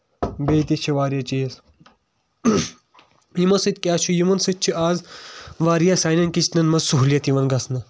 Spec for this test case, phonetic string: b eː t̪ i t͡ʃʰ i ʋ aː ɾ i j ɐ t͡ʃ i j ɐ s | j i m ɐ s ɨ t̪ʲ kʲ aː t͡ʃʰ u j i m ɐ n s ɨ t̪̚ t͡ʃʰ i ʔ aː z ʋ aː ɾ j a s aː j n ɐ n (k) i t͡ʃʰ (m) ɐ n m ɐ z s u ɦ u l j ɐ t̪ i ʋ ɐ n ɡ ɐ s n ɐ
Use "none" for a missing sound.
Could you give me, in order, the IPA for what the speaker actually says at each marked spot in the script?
k, n

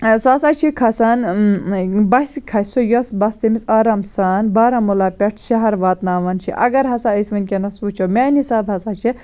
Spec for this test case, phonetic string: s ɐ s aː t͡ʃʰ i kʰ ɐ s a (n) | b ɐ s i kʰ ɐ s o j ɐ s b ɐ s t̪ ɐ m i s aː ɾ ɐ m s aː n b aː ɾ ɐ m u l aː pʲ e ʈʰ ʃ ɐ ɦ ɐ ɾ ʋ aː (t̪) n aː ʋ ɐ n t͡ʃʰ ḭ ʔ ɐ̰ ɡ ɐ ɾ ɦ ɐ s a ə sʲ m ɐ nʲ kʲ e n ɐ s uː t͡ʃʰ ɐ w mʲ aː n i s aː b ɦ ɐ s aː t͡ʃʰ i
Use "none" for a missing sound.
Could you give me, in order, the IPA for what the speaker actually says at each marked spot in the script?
n, t̪

